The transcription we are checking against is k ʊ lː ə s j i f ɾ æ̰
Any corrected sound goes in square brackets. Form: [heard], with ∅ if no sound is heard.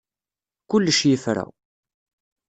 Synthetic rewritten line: k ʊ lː ə [ʃ] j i f ɾ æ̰